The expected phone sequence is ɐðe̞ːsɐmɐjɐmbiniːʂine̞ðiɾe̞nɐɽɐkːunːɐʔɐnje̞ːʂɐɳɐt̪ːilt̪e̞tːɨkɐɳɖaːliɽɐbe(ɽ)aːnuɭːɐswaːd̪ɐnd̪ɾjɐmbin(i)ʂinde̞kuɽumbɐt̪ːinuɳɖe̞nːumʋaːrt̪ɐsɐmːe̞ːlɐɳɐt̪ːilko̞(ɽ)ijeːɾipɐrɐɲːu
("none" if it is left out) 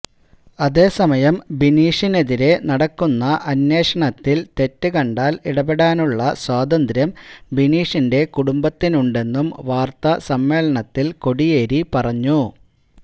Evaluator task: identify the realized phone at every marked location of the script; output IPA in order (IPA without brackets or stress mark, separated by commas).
ɽ, iː, ɽ